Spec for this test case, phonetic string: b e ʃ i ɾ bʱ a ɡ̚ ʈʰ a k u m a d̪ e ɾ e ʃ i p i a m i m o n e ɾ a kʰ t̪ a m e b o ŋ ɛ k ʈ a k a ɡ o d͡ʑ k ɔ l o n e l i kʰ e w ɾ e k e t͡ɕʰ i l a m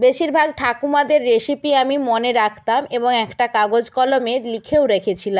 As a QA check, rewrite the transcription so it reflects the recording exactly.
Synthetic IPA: b e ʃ i ɾ bʱ a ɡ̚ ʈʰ a k u m a d̪ e ɾː e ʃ i p i a m i m o n e ɾ a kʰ t̪ a m e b o ŋ ɛ k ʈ a k a ɡ o d͡ʑ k ɔ l o m e l i kʰ e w ɾ e kʰ e t͡ɕʰ i l a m